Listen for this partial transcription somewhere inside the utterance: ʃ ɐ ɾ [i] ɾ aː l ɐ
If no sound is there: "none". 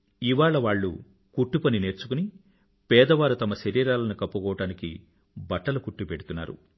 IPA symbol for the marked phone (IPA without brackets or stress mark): iː